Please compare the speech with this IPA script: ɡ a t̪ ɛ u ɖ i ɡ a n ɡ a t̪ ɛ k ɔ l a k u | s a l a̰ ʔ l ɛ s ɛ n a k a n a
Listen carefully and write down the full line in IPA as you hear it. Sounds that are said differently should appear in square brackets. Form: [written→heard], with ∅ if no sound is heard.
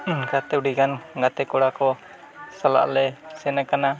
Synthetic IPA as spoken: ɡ a t̪ ɛ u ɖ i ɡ a n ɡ a t̪ ɛ k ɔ [l→ɽ] a k [u→ɔ] | s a l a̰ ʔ l ɛ s ɛ n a k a n a